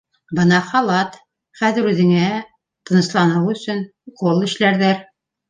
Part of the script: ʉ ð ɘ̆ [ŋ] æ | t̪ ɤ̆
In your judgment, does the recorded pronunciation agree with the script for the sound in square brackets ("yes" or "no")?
yes